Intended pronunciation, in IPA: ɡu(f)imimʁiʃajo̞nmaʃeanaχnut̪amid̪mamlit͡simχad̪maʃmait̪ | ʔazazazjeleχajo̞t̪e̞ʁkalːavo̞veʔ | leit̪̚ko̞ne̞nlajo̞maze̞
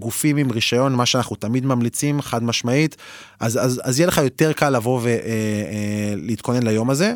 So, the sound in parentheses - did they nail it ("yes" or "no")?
yes